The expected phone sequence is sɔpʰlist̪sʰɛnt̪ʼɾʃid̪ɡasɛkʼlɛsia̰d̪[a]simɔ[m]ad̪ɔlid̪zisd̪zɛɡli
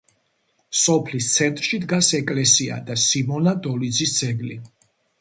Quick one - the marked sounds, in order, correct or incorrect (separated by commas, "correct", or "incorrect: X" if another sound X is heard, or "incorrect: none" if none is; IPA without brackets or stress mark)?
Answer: correct, incorrect: n